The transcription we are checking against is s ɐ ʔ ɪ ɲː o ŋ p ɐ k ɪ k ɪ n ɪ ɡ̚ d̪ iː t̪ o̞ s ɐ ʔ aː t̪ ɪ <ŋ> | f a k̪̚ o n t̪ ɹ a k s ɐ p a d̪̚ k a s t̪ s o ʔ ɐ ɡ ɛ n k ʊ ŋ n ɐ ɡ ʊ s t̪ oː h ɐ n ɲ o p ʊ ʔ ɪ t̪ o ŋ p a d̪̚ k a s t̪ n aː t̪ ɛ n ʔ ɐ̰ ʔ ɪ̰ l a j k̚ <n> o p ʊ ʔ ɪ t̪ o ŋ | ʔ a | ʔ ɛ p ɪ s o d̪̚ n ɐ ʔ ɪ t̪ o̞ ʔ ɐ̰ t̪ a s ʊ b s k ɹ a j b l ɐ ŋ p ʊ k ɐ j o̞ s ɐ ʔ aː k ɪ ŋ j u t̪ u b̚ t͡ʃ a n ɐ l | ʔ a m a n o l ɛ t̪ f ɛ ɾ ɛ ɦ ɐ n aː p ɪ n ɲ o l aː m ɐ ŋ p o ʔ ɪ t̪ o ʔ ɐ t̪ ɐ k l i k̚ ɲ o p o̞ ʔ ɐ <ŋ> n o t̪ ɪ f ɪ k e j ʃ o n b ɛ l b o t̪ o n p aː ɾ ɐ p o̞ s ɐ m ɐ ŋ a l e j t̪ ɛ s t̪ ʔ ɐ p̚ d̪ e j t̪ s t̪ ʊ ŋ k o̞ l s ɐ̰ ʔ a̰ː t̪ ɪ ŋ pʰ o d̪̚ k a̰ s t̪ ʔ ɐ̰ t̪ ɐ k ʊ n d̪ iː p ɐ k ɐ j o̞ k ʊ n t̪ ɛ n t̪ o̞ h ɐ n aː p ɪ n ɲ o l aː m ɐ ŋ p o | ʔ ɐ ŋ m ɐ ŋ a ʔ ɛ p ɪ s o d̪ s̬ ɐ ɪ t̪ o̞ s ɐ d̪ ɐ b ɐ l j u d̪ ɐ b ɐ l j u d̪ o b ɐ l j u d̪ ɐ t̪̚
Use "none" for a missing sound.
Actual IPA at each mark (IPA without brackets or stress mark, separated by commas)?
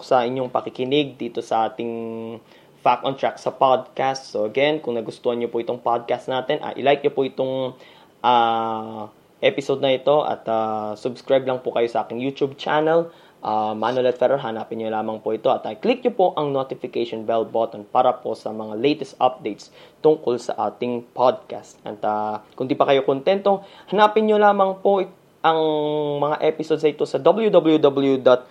ŋ, ɲ, ŋ